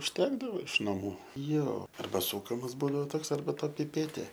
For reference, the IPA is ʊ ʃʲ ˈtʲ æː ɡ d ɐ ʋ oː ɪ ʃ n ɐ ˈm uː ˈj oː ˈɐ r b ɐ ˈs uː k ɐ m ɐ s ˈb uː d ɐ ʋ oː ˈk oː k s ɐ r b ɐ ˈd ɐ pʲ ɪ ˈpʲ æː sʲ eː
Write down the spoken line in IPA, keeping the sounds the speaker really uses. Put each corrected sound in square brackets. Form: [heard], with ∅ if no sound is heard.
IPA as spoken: ʊ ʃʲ ˈtʲ æː ɡ d ɐ ʋ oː ɪ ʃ n ɐ ˈm uː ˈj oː ˈɐ r b ɐ ˈs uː k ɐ m ɐ s ˈb uː d ɐ ʋ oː [ˈt] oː k s ɐ r b ɐ [ˈt] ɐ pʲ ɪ ˈpʲ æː [tʲ] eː